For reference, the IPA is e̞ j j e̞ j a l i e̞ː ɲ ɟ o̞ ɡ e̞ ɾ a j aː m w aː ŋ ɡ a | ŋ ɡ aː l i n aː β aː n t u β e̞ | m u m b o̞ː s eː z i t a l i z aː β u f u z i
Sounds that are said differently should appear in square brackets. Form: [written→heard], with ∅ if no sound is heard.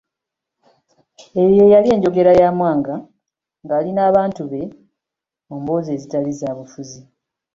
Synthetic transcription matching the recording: e̞ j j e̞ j a l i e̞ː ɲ ɟ o̞ ɡ e̞ ɾ a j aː m w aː ŋ ɡ a | ŋ ɡ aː l i n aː β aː n t u β e̞ | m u m b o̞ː [s→z] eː z i t a l i z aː β u f u z i